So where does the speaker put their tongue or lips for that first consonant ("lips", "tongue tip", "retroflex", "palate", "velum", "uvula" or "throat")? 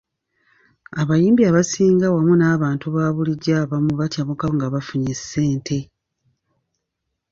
lips